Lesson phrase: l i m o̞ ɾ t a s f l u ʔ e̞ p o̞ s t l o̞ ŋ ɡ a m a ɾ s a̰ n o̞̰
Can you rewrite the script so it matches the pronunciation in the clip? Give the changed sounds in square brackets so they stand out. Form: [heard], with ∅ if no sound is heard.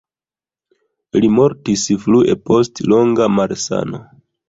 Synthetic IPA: l i m o̞ ɾ t [i] s f l u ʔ e̞ p o̞ s t l o̞ ŋ ɡ a m a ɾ s a̰ n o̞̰